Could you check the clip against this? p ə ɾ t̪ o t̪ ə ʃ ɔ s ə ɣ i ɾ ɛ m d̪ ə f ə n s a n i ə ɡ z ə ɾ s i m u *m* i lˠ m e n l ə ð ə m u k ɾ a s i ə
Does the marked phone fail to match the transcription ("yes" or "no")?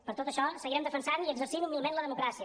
no